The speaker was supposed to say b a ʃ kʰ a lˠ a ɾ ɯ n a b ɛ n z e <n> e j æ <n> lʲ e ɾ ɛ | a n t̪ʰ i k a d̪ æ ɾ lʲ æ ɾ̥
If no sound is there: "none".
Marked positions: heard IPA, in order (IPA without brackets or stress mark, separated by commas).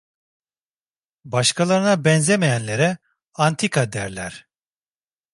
m, n